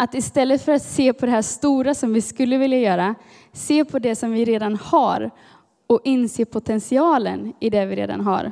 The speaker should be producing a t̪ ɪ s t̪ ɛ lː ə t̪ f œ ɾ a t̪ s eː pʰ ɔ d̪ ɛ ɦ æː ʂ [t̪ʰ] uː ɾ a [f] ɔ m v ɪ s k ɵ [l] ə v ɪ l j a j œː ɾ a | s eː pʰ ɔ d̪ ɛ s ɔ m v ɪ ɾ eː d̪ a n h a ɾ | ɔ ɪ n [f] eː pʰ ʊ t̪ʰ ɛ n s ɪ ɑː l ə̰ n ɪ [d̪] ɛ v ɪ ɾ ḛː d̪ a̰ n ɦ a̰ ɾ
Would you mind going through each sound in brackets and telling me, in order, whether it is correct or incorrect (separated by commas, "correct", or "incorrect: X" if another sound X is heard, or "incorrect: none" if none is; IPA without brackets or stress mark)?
incorrect: t̪, incorrect: s, incorrect: lː, incorrect: s, correct